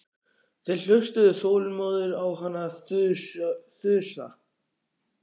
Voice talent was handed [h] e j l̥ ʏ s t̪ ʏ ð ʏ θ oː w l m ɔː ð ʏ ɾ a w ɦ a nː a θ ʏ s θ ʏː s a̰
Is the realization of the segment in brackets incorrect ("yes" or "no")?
yes